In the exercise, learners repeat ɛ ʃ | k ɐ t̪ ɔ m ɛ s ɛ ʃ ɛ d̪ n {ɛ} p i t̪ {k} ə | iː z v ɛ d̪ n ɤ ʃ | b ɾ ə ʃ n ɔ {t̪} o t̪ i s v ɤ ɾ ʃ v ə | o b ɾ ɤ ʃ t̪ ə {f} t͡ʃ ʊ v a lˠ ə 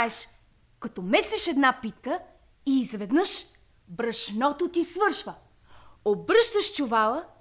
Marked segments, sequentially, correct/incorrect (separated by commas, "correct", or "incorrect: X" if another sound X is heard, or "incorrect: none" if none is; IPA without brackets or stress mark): incorrect: a, correct, correct, incorrect: ʃ